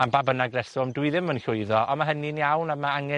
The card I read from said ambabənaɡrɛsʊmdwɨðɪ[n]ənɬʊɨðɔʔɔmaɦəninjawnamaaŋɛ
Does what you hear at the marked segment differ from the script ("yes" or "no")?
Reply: yes